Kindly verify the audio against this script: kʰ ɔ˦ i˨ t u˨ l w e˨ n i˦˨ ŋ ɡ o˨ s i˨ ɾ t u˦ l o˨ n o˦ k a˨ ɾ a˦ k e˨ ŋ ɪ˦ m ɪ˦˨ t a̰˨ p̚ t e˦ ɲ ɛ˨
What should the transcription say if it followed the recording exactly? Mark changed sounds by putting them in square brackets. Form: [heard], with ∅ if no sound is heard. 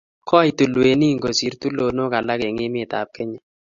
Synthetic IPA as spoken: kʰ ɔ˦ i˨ t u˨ l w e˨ n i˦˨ ŋ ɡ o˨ s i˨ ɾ t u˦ l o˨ n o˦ k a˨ [l] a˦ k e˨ ŋ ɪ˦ m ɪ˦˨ t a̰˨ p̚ [k] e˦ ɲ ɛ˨